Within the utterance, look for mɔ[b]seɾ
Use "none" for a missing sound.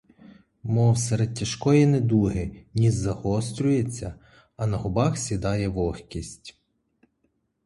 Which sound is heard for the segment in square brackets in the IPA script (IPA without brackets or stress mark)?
w